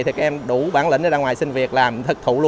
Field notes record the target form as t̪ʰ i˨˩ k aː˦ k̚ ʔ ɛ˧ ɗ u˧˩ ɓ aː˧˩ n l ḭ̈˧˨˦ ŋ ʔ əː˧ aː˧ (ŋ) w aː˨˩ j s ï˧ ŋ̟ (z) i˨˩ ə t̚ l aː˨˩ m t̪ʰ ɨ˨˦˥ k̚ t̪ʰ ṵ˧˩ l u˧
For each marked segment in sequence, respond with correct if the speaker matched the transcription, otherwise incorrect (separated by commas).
correct, incorrect